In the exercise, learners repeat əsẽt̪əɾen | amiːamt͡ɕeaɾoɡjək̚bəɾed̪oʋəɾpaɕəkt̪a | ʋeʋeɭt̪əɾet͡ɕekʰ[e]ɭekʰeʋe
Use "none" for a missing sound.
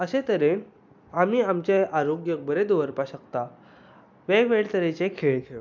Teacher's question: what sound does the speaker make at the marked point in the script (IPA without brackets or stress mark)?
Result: e